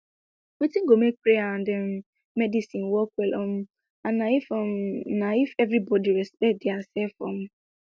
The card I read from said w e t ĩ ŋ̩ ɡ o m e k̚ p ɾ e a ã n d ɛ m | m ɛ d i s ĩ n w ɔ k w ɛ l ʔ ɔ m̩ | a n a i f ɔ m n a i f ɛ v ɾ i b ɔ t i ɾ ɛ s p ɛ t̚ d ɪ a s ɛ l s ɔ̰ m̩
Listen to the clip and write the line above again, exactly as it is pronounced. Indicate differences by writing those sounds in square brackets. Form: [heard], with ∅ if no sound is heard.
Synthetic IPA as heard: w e t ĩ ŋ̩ ɡ o m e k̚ p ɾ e a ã n d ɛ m | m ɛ d i s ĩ n w ɔ k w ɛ l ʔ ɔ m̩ | a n a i f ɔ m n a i f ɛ v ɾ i b ɔ [d] i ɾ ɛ s p ɛ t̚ d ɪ a s ɛ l [f] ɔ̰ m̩